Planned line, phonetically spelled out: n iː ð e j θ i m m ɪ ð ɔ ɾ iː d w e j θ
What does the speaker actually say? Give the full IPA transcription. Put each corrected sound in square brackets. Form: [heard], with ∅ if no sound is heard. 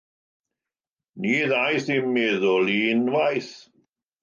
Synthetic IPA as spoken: n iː ð [a] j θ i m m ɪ ð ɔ [l] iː [n] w [a] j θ